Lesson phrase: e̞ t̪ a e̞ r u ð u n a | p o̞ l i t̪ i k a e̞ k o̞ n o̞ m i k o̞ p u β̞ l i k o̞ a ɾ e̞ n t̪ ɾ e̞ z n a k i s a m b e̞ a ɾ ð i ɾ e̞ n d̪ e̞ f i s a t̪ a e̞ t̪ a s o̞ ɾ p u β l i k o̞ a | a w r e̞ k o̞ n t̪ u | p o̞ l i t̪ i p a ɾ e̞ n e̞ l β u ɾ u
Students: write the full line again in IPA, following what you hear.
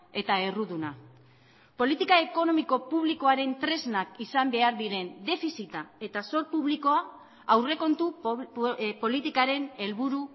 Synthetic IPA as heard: e̞ t̪ a e̞ r u ð u n a | p o̞ l i t̪ i k a e̞ k o̞ n o̞ m i k o̞ p u β̞ l i k o̞ a ɾ e̞ n t̪ ɾ e̞ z n a k i s a m b e̞ a ɾ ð i ɾ e̞ n d̪ e̞ f i s i t̪ a e̞ t̪ a s o̞ ɾ p u β l i k o̞ a | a w r e̞ k o̞ n t̪ u | p o̞ l i t̪ i k a ɾ e̞ n e̞ l β u ɾ u